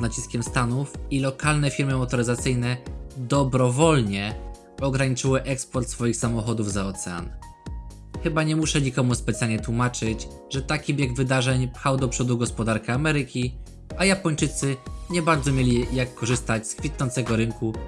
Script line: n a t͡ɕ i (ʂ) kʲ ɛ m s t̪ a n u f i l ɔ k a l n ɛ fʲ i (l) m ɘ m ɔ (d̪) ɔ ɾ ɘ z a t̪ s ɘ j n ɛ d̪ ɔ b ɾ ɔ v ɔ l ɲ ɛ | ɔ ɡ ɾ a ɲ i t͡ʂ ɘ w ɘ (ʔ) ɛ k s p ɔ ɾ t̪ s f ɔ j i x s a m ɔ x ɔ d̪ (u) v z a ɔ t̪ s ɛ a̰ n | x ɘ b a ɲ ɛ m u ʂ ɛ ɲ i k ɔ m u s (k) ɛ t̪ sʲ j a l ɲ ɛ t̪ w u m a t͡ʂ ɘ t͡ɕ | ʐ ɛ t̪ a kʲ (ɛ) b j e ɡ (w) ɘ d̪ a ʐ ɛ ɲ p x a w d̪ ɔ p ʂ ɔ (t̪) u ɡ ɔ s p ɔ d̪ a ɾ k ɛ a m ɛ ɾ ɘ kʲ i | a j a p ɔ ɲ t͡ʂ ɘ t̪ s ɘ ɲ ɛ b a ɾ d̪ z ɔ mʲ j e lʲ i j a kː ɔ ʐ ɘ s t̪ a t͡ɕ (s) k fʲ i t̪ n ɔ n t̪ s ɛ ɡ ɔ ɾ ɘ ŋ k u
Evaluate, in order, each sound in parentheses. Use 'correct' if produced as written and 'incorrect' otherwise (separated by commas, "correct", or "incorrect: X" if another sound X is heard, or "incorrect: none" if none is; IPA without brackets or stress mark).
incorrect: s, incorrect: ɾ, incorrect: t̪, correct, correct, incorrect: p, incorrect: i, incorrect: v, incorrect: d̪, correct